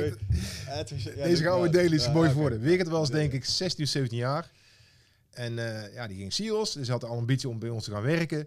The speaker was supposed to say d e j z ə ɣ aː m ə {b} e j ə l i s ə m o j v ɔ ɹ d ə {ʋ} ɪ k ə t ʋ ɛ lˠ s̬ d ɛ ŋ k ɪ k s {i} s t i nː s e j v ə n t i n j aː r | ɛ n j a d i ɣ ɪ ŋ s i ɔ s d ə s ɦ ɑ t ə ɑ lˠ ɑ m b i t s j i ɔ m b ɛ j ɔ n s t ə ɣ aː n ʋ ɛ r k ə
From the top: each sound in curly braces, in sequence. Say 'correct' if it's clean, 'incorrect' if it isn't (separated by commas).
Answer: incorrect, correct, incorrect